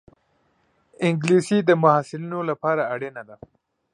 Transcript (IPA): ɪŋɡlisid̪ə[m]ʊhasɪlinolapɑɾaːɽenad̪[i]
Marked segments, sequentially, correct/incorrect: correct, incorrect

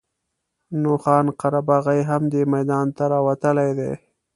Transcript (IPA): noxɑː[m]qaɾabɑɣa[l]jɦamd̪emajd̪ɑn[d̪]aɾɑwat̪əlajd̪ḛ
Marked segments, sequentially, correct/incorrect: incorrect, incorrect, incorrect

